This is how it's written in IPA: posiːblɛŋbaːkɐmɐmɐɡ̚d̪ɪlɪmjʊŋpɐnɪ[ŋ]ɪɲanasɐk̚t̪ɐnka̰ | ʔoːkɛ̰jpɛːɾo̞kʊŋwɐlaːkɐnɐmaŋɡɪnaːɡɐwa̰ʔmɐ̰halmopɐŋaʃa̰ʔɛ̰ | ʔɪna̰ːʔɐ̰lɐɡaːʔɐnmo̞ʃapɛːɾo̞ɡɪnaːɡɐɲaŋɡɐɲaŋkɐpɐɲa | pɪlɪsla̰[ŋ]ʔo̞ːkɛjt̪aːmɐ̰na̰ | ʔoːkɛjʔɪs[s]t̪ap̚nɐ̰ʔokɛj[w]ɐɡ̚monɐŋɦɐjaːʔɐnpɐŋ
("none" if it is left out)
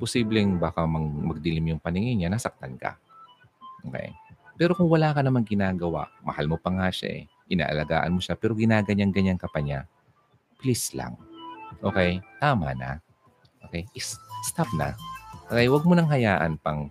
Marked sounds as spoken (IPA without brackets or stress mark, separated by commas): ŋ, ŋ, s, w